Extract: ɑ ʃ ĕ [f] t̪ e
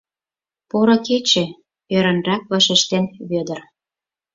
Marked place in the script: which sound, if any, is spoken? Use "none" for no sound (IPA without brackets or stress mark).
ʃ